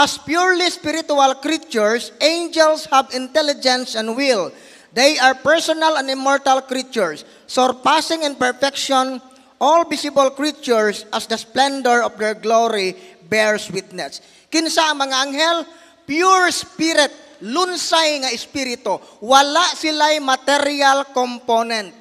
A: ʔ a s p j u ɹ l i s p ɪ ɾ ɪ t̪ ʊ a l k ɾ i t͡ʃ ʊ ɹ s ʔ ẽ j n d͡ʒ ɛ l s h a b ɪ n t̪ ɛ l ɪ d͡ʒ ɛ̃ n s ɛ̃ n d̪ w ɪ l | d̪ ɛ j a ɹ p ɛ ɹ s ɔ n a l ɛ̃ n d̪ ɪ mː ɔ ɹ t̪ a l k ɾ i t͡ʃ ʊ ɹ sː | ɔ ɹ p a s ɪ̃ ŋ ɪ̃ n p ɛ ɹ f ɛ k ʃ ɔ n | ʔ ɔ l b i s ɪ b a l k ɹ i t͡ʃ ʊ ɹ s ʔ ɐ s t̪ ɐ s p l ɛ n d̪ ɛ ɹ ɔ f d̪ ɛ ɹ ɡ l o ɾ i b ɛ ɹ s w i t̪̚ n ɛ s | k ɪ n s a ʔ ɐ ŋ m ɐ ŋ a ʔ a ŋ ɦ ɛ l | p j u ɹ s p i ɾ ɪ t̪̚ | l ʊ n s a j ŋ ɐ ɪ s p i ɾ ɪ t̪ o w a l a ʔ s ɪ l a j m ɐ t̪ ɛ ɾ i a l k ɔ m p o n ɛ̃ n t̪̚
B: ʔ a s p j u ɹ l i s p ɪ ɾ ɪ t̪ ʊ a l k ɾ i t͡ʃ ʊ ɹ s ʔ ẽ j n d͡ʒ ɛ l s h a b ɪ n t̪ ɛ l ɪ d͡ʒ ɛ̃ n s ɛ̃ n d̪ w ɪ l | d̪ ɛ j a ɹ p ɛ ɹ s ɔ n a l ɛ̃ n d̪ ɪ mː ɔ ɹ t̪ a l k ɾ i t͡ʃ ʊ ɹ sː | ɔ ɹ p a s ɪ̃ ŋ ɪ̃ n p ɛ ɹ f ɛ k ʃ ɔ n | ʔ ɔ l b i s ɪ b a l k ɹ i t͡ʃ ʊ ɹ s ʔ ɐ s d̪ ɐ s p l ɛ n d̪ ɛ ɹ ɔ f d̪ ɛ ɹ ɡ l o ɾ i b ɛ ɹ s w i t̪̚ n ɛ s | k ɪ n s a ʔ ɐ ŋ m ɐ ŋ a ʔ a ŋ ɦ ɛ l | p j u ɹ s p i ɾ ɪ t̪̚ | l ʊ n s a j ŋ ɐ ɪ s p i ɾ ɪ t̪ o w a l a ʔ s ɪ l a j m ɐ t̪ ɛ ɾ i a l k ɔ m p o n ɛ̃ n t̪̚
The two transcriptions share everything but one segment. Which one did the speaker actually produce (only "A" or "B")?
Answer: B